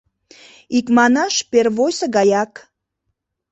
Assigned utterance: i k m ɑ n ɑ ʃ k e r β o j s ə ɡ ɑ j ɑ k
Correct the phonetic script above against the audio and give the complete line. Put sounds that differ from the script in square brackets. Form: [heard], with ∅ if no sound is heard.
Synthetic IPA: i k m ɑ n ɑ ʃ [p] e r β o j s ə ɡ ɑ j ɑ k